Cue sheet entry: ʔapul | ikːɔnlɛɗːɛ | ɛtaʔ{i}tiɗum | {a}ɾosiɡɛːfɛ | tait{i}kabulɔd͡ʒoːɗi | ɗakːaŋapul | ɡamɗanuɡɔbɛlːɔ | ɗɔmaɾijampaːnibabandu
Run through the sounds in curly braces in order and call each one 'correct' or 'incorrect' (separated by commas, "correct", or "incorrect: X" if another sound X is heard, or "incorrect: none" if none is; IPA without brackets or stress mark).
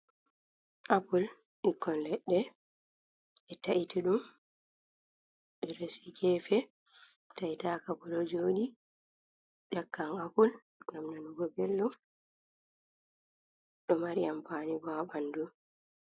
correct, incorrect: ɛ, incorrect: a